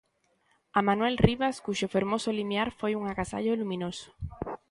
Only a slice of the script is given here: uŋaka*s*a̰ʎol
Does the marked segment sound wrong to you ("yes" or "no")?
no